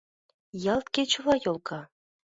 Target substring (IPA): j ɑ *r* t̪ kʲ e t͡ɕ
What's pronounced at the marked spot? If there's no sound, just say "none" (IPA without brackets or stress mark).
l